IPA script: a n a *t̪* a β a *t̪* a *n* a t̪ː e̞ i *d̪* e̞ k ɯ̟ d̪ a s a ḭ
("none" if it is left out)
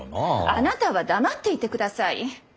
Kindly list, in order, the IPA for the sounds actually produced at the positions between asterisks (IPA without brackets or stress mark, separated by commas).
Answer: t̪, d̪, m, t̪